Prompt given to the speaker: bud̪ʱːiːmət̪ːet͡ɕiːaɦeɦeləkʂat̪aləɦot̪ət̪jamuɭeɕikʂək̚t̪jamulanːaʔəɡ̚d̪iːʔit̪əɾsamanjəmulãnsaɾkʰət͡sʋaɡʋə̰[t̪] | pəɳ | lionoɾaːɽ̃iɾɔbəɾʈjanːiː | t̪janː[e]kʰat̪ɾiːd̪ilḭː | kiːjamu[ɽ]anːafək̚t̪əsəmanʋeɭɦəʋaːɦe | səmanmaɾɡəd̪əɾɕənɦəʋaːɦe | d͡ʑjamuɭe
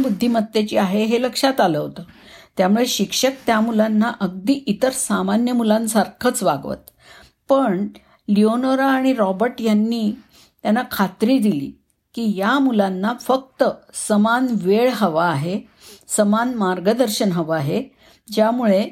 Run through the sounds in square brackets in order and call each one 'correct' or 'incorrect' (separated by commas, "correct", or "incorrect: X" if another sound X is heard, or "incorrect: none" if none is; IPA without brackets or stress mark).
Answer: correct, incorrect: a, incorrect: l